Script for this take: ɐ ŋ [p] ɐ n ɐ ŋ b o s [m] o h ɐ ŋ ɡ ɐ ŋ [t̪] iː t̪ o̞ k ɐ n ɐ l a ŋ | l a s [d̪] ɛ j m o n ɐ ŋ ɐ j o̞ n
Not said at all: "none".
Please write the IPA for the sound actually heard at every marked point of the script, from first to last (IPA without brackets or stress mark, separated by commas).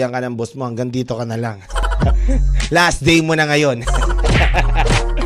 k, m, d̪, d̪